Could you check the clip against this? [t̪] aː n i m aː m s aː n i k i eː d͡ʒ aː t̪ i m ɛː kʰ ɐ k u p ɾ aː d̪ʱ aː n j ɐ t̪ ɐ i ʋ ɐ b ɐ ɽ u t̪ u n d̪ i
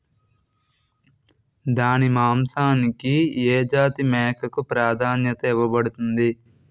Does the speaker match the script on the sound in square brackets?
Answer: no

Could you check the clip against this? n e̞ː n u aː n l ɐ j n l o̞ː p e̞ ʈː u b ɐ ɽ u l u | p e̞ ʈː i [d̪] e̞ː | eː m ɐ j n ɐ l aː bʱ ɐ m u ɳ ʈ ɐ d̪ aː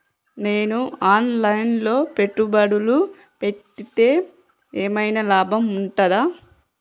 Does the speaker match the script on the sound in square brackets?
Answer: no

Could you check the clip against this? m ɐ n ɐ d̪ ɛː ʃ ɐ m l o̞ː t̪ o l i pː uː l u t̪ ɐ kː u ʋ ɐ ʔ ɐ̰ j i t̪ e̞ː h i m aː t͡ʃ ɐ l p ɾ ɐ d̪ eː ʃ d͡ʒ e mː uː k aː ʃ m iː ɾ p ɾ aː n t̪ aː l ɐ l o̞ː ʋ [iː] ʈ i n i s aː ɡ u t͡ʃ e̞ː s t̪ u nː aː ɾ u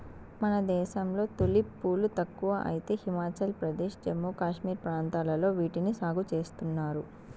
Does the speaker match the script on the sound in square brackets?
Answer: yes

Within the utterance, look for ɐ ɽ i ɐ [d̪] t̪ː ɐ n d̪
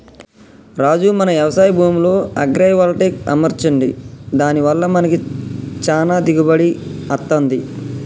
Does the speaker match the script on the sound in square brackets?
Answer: no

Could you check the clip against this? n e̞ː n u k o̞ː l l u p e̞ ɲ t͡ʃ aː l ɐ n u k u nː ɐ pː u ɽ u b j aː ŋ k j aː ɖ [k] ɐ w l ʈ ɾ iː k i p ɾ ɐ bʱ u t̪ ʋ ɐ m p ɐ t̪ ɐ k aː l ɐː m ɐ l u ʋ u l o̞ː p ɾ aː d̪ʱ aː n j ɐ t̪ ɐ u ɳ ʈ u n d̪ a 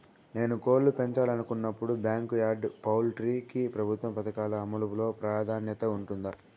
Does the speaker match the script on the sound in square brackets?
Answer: no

